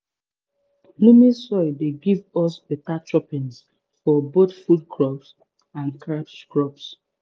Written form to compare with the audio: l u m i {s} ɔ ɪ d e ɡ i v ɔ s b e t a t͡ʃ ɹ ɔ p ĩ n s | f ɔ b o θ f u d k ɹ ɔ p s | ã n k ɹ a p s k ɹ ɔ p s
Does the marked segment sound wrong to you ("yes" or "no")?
no